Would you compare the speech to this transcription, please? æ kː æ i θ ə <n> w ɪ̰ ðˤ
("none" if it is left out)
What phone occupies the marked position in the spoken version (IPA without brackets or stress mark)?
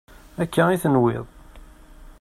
n